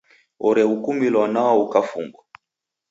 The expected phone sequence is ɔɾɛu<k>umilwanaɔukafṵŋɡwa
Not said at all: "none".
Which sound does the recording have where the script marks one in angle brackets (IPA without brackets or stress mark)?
k